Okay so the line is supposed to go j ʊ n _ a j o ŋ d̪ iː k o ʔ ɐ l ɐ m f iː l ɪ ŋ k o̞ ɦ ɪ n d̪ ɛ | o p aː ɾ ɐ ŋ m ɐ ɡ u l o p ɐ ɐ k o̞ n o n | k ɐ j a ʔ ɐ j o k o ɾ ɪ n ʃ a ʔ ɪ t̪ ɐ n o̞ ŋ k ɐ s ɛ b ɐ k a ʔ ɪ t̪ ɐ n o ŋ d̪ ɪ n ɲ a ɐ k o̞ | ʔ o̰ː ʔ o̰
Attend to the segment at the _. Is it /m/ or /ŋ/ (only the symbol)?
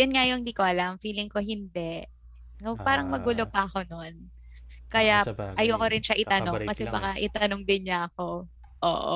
ŋ